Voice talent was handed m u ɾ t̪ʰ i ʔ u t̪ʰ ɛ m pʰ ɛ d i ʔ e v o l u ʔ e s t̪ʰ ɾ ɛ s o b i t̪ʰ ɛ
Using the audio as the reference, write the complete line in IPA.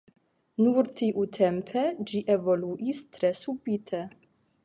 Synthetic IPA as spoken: n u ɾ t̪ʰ i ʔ u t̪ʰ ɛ m pʰ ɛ d͡ʒ i ʔ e v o l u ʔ i s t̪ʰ ɾ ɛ s u b i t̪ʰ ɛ